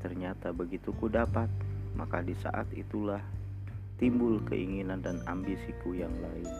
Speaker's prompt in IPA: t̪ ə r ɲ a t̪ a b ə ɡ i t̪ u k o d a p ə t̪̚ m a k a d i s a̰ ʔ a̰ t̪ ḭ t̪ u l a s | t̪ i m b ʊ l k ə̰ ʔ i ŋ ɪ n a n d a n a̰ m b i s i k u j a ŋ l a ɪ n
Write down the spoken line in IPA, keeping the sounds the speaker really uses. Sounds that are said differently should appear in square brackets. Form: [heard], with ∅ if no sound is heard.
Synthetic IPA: t̪ ə r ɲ a t̪ a b ə ɡ i t̪ u k [u] d a p [a] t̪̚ m a k a d i s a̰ ʔ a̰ t̪ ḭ t̪ u l a [h] | t̪ i m b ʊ l k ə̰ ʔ i ŋ [i] n a n d a n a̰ m b i s i k u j a ŋ l a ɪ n